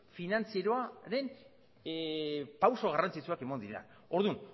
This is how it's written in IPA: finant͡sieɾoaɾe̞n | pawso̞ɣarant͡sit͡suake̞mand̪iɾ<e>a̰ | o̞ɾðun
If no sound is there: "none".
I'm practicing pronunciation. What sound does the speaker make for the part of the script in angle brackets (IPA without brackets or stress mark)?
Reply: e